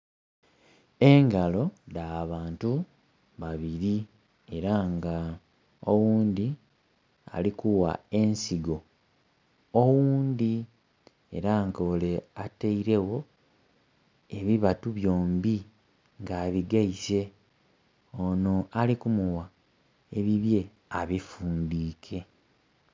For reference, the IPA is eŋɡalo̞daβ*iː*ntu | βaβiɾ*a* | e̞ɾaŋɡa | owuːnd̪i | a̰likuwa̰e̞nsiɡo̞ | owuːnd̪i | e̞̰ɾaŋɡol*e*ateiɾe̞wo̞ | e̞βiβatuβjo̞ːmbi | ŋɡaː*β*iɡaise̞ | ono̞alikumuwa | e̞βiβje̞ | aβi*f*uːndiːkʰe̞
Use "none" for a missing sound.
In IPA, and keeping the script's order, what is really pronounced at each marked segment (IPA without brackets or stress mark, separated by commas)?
aː, i, e, β, f